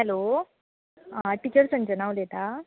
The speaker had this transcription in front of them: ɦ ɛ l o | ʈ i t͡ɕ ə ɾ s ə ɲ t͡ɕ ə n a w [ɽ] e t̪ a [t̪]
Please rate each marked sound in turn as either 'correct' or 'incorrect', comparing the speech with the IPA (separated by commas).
incorrect, incorrect